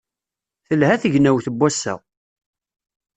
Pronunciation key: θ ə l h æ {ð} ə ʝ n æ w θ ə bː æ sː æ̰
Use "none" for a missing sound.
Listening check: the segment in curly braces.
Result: θ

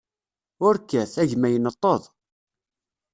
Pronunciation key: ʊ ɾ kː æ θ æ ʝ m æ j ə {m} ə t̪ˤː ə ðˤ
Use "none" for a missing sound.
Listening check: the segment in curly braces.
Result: n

